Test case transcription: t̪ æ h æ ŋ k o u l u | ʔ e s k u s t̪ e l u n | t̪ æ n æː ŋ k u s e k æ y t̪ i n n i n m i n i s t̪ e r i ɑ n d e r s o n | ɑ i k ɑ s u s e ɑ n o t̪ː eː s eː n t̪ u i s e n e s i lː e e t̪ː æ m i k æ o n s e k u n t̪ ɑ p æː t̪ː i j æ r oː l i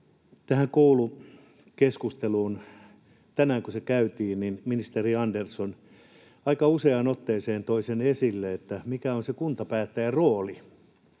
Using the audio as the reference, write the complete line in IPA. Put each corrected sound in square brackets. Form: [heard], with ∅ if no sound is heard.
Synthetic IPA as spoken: t̪ æ h æ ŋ k o u l u | [k] e s k u s t̪ e l [uː] n | t̪ æ n æː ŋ k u s e k æ y t̪ [iː] n n i n m i n i s t̪ e r i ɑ n d e r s o n | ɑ i k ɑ [∅] u s e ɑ n o t̪ː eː s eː n t̪ [o] i s e n e s i lː e e t̪ː æ m i k æ o n s e k u n t̪ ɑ p æː t̪ː [æ] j æ r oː l i